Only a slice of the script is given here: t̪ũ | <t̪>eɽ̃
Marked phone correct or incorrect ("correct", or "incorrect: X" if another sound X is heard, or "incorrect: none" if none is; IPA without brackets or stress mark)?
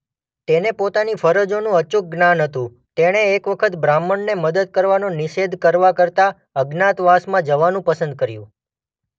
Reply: correct